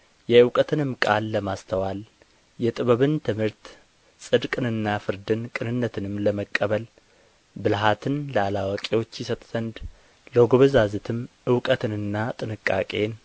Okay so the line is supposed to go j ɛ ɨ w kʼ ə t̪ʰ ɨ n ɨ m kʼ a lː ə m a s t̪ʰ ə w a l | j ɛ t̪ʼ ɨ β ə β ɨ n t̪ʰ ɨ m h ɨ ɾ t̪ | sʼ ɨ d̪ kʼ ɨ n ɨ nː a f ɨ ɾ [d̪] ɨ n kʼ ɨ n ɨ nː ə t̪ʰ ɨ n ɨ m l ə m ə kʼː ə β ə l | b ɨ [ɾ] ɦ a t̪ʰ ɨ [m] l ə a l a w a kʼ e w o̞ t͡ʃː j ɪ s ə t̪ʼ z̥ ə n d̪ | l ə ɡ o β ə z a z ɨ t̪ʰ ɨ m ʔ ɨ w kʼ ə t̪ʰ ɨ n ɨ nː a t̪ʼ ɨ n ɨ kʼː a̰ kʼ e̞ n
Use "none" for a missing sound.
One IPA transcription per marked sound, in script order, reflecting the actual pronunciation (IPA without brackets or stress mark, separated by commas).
d̪, l, n